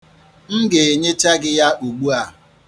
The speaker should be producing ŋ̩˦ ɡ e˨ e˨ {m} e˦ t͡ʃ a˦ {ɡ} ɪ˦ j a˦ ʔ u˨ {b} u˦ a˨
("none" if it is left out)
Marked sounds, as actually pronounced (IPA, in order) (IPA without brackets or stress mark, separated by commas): ɲ, ɡ, ɡ͡b